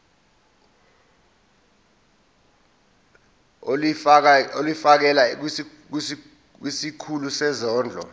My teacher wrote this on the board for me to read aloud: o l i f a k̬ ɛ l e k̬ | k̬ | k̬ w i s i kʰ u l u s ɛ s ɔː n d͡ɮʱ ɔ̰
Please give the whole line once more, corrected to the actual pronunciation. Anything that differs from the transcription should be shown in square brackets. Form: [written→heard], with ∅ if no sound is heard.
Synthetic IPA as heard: o l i f a k̬ ɛ l [e→a] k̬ | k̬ | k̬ w i s i kʰ u l u s ɛ [s→z] ɔː n d͡ɮʱ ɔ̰